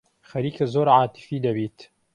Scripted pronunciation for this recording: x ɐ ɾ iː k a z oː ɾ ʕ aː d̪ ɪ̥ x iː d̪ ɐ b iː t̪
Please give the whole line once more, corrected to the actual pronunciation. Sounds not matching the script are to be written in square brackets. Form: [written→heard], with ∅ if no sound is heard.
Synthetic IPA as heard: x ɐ ɾ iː k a z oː ɾ ʕ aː [d̪→t̪] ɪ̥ [x→f] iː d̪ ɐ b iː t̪